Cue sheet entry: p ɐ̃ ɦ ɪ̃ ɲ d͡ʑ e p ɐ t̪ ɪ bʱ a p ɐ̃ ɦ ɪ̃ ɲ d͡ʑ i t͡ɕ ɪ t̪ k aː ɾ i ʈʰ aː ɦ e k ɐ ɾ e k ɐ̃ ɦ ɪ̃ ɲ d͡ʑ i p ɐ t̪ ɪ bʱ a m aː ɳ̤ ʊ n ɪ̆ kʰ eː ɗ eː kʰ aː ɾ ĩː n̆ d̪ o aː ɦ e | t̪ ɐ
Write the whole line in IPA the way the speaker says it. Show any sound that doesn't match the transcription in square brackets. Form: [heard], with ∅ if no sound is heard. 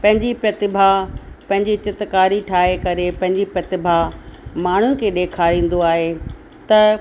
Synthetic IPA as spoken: p ɐ̃ ɦ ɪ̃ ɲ d͡ʑ [i] p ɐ t̪ ɪ bʱ a p ɐ̃ ɦ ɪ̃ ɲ d͡ʑ i t͡ɕ ɪ t̪ k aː ɾ i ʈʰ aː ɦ e k ɐ ɾ e [p] ɐ̃ ɦ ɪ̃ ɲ d͡ʑ i p ɐ t̪ ɪ bʱ a m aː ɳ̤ ʊ n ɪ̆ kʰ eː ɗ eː kʰ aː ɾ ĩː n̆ d̪ o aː ɦ e | t̪ ɐ